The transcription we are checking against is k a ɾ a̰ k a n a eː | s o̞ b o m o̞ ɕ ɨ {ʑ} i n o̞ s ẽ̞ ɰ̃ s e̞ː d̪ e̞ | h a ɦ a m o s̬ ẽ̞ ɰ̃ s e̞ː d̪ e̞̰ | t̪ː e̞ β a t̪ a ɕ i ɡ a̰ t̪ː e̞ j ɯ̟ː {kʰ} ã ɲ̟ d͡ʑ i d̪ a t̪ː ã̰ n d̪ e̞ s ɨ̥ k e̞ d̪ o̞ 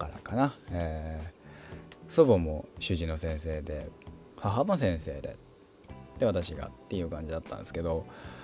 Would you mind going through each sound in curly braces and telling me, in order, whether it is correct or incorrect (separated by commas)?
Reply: correct, incorrect